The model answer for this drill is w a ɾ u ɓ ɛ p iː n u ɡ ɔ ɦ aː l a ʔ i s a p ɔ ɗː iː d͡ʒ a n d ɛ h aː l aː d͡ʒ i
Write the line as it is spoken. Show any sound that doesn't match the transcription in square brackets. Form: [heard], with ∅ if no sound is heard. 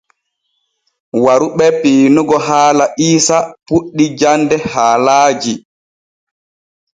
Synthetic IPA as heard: w a ɾ u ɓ ɛ p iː n u ɡ ɔ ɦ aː l a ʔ [iː] s a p [u] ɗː [i] d͡ʒ a n d ɛ h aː l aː d͡ʒ i